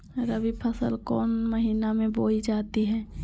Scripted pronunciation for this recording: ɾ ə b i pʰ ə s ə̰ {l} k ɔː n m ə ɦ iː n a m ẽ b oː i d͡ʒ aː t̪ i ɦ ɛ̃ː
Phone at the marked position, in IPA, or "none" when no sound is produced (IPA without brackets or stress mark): l